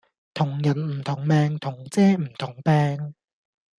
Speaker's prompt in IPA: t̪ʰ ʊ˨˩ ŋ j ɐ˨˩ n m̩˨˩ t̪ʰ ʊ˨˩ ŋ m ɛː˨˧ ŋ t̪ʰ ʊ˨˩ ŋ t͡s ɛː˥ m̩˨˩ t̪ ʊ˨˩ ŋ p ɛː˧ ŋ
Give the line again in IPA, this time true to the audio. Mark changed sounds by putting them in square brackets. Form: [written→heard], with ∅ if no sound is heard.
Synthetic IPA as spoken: t̪ʰ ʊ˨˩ ŋ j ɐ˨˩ n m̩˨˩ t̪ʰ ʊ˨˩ ŋ m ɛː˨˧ ŋ t̪ʰ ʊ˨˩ ŋ t͡s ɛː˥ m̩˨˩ [t̪→t̪ʰ] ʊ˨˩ ŋ p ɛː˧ ŋ